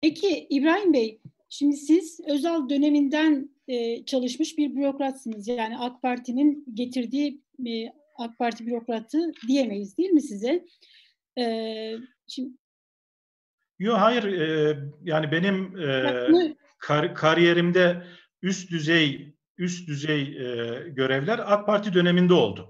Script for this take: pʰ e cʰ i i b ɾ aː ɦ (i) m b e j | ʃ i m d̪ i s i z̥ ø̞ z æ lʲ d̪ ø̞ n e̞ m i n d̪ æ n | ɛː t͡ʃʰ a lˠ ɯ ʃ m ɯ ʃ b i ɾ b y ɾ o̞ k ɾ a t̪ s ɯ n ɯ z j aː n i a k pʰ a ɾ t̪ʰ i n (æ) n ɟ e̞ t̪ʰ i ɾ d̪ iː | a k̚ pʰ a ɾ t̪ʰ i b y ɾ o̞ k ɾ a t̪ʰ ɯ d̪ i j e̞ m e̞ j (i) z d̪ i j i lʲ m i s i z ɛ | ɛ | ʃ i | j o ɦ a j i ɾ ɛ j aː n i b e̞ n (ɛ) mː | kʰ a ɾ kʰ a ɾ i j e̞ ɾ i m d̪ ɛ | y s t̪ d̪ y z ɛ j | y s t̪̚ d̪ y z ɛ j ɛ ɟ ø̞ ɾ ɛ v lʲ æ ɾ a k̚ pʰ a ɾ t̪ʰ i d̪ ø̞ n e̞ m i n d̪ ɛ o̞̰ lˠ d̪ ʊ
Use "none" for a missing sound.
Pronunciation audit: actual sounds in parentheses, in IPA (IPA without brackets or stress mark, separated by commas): i, i, i, i